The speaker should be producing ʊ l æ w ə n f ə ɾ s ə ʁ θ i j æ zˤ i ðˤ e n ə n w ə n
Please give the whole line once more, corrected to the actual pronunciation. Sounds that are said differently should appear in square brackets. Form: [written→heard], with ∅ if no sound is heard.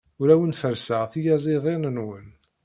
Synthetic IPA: ʊ [l→ɾ] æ w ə n f ə ɾ s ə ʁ θ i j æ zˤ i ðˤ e n ə n w ə n